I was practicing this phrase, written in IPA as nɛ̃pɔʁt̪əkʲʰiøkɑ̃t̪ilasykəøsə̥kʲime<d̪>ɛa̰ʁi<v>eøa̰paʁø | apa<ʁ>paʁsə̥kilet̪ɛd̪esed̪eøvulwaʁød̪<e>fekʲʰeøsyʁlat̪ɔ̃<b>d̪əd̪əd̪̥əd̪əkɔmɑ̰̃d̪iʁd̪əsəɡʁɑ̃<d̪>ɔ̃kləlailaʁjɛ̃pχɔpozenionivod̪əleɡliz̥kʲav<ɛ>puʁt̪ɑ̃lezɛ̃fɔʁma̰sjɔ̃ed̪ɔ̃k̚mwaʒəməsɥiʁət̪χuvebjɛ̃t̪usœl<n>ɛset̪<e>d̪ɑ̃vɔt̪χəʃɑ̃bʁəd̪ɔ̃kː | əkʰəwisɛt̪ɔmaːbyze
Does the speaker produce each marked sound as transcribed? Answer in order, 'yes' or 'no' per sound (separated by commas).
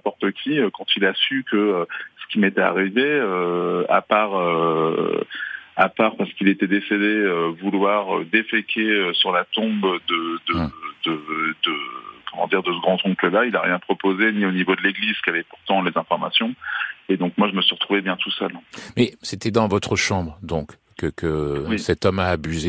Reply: no, yes, yes, yes, yes, no, yes, no, no